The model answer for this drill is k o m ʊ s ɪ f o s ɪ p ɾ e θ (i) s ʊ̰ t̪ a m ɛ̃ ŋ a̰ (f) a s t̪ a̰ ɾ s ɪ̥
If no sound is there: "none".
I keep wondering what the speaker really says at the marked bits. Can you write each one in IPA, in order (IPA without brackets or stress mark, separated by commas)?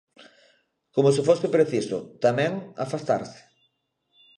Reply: i, f